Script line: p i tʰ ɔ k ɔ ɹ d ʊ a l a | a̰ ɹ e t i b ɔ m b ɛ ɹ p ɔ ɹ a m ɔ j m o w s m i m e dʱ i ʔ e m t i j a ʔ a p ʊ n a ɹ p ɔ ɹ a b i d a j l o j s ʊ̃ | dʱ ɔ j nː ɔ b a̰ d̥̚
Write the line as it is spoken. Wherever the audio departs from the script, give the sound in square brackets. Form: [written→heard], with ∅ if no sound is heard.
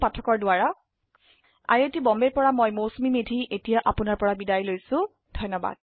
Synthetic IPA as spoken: p [i→a] tʰ ɔ k ɔ ɹ d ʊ a [l→ɹ] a | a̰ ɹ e t i b ɔ m b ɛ ɹ p ɔ ɹ a m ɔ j m o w s m i m e dʱ i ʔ e [m→∅] t i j a ʔ a p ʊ n a ɹ p ɔ ɹ a b i d a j l o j s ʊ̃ | dʱ ɔ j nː ɔ b a̰ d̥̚

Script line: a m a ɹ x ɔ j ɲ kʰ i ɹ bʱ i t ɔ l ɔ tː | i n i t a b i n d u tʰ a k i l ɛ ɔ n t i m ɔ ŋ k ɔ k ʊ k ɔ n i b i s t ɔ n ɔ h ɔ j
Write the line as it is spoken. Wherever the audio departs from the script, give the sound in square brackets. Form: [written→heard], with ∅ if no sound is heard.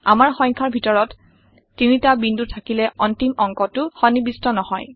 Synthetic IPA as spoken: a m a ɹ x ɔ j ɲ kʰ [i→a] ɹ bʱ i t ɔ [l→ɹ] ɔ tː | i n i t a b i n d u tʰ a k i l ɛ ɔ n t i m ɔ ŋ k ɔ [k→t] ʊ [k→x] ɔ n i b i s t ɔ n ɔ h ɔ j

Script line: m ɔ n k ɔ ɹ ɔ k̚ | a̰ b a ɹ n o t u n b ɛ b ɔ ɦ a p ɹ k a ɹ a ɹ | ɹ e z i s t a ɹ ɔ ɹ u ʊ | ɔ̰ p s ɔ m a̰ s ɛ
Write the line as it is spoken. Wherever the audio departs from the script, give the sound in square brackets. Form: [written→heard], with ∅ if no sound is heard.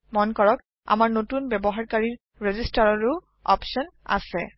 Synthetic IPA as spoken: m ɔ n k ɔ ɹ ɔ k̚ | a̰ [b→m] a ɹ n o t u n b ɛ b ɔ ɦ a [p→∅] ɹ k a ɹ [a→i] ɹ | ɹ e z i s t a ɹ ɔ ɹ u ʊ | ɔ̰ p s ɔ [m→n] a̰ s ɛ

